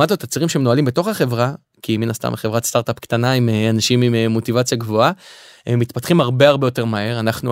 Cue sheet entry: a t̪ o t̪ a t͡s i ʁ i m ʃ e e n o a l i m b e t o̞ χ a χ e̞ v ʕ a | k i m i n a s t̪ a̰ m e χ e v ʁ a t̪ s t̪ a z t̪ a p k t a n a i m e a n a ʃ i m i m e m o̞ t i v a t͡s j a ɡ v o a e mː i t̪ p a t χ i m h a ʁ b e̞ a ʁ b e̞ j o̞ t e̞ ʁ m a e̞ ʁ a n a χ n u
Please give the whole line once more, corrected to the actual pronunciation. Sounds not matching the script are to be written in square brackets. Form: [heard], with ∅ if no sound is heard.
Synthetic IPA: a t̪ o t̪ a t͡s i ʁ i m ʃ e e n o a l i m b e t o̞ χ a χ e̞ v [ʁ] a | k i m i n a s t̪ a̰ m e χ e v ʁ a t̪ s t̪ a [ʁ] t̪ a p k t a n a i m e a n a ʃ i m i m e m o̞ t i v a t͡s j a ɡ v o a e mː i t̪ p a t χ i m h a ʁ b e̞ a ʁ b e̞ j o̞ t e̞ ʁ m a e̞ ʁ a n a χ n u